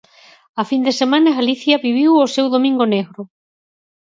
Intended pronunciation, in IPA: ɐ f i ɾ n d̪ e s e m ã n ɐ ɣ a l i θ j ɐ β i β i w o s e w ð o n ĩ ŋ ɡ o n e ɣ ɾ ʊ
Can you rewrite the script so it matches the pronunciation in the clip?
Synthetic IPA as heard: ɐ f i n d̪ e s e m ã n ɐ ɣ a l i θ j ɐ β i β i w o s e w ð o m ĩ ŋ ɡ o n e ɣ ɾ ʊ